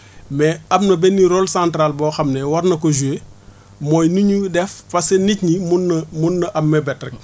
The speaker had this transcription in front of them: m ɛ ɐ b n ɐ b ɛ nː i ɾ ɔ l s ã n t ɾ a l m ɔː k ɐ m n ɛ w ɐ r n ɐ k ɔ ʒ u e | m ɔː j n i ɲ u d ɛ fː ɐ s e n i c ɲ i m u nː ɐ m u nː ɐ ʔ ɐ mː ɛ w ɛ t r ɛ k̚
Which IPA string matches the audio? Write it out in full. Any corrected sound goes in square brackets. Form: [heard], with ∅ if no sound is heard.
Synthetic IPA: m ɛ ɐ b n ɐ b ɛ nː i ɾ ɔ l s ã n t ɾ a l [b] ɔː [x] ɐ m n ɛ w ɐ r n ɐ k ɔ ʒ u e | m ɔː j n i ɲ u d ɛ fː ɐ s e n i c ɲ i m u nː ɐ m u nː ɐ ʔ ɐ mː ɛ [b] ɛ t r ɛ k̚